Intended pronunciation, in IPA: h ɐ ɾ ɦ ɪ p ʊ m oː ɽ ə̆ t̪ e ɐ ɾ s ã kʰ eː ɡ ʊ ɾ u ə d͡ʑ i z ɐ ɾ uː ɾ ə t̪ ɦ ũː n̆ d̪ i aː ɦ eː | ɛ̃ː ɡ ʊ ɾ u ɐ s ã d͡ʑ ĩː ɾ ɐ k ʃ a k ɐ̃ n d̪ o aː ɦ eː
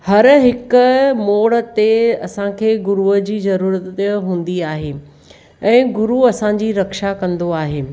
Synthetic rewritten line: h ɐ ɾ ɦ ɪ k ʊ m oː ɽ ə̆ t̪ e ɐ s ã kʰ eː ɡ ʊ ɾ u ə d͡ʑ iː z ɐ ɾ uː ɾ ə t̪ ɦ ũː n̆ d̪ i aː ɦ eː | ɛ̃ː ɡ ʊ ɾ u ɐ s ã d͡ʑ iː ɾ ɐ k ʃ a k ɐ̃ n d̪ o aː ɦ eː

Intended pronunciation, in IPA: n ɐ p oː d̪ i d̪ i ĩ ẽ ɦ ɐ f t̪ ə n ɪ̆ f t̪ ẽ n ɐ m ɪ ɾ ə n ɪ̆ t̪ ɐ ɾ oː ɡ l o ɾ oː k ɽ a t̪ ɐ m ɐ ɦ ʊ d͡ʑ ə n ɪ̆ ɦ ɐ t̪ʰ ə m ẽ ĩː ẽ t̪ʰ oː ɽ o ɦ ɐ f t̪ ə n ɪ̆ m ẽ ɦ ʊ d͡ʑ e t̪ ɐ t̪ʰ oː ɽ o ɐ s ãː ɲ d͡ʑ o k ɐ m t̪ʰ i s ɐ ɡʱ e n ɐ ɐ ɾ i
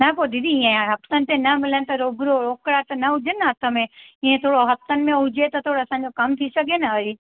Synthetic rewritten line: n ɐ p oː d̪ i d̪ i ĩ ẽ ɦ ɐ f t̪ ə n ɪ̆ t̪ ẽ n ɐ m ɪ l ə n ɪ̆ t̪ ɐ ɾ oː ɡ ɾ o ɾ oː k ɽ a t̪ ɐ n ɐ ɦ ʊ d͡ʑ ə n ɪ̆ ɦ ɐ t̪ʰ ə m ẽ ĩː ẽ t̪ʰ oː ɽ o ɦ ɐ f t̪ ə n ɪ̆ m ẽ ɦ ʊ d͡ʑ e t̪ ɐ t̪ʰ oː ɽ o ɐ s ãː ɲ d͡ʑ o k ɐ m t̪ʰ i s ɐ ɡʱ e n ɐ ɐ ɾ i

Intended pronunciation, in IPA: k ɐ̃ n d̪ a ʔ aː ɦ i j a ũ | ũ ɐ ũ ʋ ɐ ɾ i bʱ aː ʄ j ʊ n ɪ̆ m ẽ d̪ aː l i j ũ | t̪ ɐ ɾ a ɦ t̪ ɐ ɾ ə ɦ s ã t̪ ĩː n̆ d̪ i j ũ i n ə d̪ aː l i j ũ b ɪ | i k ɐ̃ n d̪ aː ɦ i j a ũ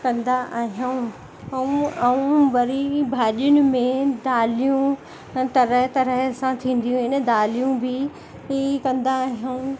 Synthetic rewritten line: k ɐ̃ n d̪ a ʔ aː ɦ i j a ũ | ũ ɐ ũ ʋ ɐ ɾ i bʱ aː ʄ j ʊ n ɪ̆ m ẽ d̪ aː l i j ũ | t̪ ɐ ɾ ə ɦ t̪ ɐ ɾ ə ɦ s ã t̪ʰ ĩː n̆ d̪ i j ũ ɪ n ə d̪ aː l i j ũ b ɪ | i k ɐ̃ n d̪ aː ɦ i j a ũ

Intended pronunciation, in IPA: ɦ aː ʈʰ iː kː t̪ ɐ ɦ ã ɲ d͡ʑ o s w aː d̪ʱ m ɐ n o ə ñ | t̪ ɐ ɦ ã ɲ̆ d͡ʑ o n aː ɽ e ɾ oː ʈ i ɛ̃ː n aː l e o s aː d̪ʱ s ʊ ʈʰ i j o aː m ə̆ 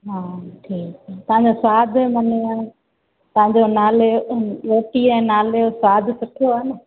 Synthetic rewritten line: ɦ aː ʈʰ iː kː t̪ ɐ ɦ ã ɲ d͡ʑ o s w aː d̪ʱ m ɐ n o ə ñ | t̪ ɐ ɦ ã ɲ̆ d͡ʑ o n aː l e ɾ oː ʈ i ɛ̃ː n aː l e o s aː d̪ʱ s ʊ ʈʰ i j o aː n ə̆

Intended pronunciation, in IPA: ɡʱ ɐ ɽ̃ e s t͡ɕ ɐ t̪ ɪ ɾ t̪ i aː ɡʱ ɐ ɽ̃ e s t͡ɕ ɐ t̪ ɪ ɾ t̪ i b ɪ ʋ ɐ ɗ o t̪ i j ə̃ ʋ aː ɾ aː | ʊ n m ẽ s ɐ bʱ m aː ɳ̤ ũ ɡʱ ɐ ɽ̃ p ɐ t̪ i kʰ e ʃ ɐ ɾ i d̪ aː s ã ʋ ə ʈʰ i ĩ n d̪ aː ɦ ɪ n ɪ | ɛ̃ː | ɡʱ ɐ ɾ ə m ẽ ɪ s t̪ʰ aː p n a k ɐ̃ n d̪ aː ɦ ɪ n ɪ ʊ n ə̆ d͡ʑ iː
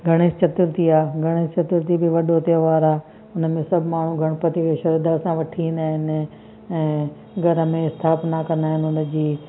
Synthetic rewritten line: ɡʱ ɐ ɽ̃ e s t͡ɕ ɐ t̪ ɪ ɾ t̪ i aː ɡʱ ɐ ɽ̃ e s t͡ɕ ɐ t̪ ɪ ɾ t̪ i b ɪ ʋ ɐ ɗ o t̪ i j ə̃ ʋ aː ɾ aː | ʊ n m ẽ s ɐ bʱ m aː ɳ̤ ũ ɡʱ ɐ ɽ̃ p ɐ t̪ i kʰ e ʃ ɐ ɾ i d̪ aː s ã ʋ ɐ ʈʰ i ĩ n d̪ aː ɦ ɪ n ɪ | ɛ̃ː | ɡʱ ɐ ɾ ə m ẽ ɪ s t̪ʰ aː p n a k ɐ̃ n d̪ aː ɦ ɪ n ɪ ʊ n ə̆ d͡ʑ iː

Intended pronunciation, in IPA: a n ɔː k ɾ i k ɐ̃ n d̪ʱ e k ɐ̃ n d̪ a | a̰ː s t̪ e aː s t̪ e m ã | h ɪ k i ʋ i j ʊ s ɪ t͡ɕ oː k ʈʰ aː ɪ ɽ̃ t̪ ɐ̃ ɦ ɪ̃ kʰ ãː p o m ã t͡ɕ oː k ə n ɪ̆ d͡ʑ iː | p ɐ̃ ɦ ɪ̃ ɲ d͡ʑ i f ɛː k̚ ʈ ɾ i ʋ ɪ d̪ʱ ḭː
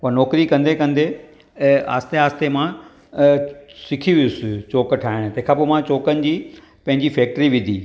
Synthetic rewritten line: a n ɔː k ɾ i k ɐ̃ n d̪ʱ e k ɐ̃ n d̪ e | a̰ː s t̪ e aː s t̪ e m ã | s ɪ kʰ i ʋ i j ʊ s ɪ t͡ɕ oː k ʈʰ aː ɪ ɽ̃ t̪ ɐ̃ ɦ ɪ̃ kʰ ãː p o m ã t͡ɕ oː k ə n ɪ̆ d͡ʑ iː | p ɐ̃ ɦ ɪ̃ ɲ d͡ʑ i f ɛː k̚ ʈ ɾ i ʋ ɪ d̪ʱ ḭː

